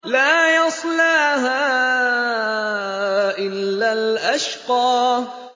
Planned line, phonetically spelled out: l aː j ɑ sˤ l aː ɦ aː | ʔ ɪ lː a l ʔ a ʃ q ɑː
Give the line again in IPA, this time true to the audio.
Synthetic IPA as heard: l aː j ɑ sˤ l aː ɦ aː | ʔ ɪ lː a l ʔ a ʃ q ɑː

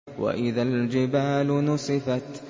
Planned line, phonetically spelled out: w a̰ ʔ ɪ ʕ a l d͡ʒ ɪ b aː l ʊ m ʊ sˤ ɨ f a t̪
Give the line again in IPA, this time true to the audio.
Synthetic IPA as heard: w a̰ ʔ ɪ ð a l d͡ʒ ɪ b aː l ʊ n ʊ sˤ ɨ f a t̪

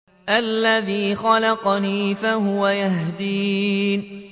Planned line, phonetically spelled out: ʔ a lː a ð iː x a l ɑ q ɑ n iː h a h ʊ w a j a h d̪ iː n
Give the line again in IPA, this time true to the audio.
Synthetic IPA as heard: ʔ a lː a ð iː x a l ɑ q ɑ n iː f a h ʊ w a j a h d̪ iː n

